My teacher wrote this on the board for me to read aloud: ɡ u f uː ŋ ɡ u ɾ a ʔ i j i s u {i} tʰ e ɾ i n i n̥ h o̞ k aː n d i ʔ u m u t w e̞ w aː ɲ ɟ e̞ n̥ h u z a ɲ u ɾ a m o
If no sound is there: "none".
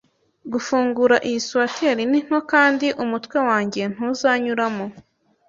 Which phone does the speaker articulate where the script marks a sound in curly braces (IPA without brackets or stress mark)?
a